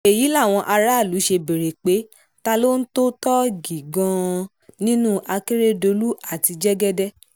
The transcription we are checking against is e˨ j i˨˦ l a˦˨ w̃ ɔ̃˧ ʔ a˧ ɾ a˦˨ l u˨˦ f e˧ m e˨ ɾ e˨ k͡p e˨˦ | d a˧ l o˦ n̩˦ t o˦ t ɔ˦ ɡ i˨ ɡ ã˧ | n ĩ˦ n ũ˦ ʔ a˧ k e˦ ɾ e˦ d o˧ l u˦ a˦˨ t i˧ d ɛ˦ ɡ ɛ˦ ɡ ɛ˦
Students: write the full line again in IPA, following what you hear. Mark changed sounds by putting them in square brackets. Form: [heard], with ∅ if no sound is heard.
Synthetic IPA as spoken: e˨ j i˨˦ l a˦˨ w̃ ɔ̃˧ ʔ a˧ ɾ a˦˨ l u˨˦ [ʃ] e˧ [b] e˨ ɾ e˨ k͡p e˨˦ | [t] a˧ l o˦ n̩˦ t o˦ t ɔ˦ ɡ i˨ ɡ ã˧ | n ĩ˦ n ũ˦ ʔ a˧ k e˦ ɾ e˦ d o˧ l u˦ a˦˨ t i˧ [d͡ʒ] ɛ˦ ɡ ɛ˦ [d] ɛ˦